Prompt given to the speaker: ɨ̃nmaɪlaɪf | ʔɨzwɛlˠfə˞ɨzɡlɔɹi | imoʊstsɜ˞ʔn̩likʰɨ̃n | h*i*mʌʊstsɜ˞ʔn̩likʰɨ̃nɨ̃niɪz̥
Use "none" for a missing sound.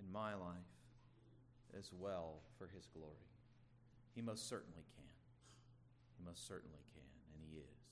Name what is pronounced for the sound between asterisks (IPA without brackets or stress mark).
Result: i